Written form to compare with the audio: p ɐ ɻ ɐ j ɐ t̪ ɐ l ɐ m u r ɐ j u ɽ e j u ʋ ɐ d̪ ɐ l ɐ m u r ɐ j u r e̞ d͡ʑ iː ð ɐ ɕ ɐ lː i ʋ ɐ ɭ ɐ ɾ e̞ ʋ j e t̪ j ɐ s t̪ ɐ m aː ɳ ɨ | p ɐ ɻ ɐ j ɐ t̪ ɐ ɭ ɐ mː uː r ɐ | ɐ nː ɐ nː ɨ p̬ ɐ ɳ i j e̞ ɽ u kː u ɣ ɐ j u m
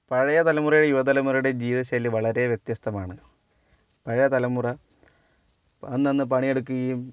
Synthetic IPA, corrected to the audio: p ɐ ɻ ɐ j ɐ t̪ ɐ l ɐ m u r ɐ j u ɽ e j u ʋ ɐ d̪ ɐ l ɐ m u r ɐ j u ɽ e̞ d͡ʑ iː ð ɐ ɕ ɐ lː i ʋ ɐ ɭ ɐ ɾ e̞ ʋ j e t̪ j ɐ s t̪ ɐ m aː ɳ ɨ | p ɐ ɻ ɐ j ɐ t̪ ɐ l ɐ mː u r ɐ | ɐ nː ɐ nː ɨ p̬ ɐ ɳ i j e̞ ɽ u kː u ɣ ɐ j u m